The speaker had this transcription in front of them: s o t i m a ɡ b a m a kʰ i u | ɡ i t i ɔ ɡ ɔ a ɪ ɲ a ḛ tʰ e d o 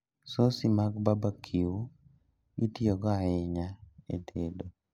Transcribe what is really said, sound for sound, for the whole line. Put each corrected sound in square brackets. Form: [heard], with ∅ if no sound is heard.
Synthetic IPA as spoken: s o [s] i m a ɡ b a [b] a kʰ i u | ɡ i t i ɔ ɡ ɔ a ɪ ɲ a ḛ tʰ e d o